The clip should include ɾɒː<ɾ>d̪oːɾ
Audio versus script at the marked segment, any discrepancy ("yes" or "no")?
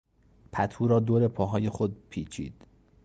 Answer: yes